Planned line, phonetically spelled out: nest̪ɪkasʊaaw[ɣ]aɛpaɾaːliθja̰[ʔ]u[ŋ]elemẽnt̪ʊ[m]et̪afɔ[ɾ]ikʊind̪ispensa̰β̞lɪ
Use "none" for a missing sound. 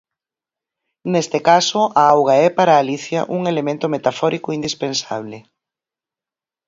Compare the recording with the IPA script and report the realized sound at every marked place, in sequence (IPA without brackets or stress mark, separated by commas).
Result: ɣ, ʔ, ŋ, m, ɾ